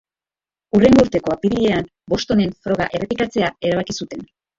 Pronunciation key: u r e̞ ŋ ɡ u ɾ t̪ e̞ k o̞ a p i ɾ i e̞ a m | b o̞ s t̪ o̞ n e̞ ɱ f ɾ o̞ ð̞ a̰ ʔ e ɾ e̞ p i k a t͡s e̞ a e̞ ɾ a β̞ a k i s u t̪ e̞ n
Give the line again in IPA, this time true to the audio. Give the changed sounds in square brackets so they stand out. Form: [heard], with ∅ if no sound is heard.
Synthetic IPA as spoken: u r e̞ ŋ ɡ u ɾ t̪ e̞ k o̞ a p i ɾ i e̞ a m | b o̞ s t̪ o̞ n e̞ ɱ f ɾ o̞ [ɣ̞] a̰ ʔ e [r] e̞ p i k a t͡s e̞ a e̞ ɾ a β̞ a k i s u t̪ e̞ n